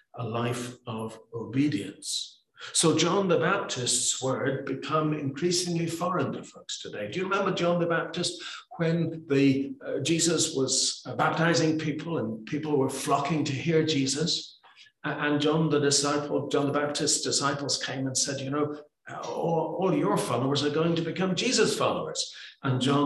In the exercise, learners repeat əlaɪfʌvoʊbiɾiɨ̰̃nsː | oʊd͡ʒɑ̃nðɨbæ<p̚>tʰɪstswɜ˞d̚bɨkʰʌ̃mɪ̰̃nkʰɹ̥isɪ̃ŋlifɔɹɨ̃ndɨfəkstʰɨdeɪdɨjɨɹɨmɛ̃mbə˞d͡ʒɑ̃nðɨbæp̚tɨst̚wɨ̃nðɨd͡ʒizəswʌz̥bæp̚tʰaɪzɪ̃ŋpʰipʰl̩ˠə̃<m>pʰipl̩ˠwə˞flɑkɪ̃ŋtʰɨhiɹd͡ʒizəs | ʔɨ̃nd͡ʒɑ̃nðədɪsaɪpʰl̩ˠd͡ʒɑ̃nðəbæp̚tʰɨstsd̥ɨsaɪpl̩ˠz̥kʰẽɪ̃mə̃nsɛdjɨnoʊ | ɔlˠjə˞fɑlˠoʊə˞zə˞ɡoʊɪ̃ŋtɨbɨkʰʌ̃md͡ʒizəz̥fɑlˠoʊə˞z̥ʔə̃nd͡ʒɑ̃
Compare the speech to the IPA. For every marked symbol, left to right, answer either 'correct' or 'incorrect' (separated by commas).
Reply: correct, incorrect